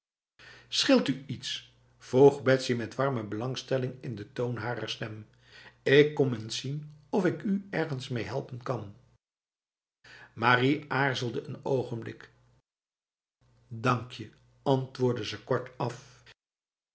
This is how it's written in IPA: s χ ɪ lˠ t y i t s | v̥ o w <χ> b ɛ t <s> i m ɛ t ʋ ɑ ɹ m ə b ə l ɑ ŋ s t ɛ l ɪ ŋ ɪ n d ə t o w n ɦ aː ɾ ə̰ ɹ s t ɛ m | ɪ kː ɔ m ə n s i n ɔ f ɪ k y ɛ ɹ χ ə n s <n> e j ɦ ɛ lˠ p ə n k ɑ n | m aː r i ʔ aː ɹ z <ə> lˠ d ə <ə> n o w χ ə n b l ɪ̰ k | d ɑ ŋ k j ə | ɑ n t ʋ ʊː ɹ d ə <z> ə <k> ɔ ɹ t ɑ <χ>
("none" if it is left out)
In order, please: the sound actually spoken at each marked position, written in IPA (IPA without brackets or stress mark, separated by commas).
χ, s, m, ə, ə, z, k, f